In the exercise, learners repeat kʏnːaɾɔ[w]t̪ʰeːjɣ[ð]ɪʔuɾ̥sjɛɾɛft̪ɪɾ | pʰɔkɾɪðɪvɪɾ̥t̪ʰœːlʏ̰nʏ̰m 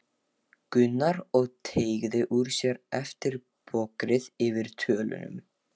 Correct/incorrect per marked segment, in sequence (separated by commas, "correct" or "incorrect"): incorrect, correct